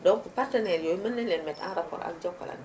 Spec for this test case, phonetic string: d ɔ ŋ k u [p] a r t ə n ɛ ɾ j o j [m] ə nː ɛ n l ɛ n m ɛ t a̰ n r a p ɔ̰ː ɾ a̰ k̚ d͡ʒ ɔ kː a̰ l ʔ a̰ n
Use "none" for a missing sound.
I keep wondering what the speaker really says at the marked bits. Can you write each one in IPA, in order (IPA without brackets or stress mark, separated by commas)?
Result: p, m